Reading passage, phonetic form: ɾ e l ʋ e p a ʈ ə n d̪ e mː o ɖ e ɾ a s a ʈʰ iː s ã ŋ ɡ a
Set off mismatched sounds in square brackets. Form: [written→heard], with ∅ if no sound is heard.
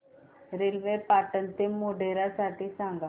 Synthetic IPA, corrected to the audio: ɾ e l ʋ e p a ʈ ə n [d̪→t̪] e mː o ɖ e ɾ a s a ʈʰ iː s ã ŋ ɡ a